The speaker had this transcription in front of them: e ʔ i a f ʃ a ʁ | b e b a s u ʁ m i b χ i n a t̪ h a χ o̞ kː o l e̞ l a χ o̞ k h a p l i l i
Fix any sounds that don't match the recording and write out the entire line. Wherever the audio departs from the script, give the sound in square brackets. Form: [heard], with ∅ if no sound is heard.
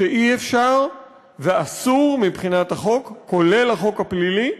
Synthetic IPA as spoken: e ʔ i [e] f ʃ a ʁ | [v] e [∅] a s u ʁ m i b χ i n a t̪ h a χ o̞ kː o l e̞ l a χ o̞ k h a p l i l i